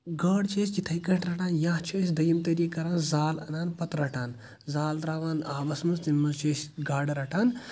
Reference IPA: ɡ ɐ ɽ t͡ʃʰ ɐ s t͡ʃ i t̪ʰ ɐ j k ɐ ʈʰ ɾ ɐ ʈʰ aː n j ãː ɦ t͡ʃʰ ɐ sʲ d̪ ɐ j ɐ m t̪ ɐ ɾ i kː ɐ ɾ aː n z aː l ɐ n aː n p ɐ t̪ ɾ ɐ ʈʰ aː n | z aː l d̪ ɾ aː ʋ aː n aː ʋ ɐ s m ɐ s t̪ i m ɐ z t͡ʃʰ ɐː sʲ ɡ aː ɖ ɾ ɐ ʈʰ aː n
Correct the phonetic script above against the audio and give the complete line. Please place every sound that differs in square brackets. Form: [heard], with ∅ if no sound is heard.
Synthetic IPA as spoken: ɡ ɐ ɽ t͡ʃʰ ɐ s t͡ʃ i t̪ʰ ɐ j k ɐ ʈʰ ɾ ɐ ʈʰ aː n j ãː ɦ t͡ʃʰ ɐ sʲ d̪ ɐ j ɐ m t̪ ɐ ɾ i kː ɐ ɾ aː n z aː l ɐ n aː n p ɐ t̪ ɾ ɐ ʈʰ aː n | z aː l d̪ ɾ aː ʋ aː n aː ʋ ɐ s m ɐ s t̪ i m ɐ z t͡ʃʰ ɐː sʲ ɡ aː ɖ ɾ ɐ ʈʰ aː n